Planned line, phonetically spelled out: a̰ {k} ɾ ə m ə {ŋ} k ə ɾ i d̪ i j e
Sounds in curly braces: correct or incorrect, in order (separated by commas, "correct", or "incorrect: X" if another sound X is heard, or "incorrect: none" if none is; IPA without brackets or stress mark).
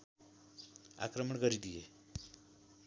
correct, incorrect: ɳ